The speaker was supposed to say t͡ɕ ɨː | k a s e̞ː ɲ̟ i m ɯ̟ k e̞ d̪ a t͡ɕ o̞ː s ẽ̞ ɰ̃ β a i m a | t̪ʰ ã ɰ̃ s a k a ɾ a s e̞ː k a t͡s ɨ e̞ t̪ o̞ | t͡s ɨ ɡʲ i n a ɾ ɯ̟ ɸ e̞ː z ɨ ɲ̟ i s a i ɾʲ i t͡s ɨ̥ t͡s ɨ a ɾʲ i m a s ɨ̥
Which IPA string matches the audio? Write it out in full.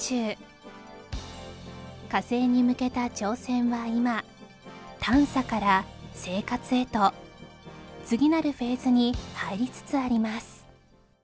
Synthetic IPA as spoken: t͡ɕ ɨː | k a s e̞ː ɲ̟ i m ɯ̟ k e̞ t̪ a t͡ɕ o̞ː s ẽ̞ ɰ̃ β a i m a | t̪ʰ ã ɰ̃ s a k a ɾ a s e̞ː k a t͡s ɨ e̞ t̪ o̞ | t͡s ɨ ɡʲ i n a ɾ ɯ̟ ɸ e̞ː z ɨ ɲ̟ i h a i ɾʲ i t͡s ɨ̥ t͡s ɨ a ɾʲ i m a s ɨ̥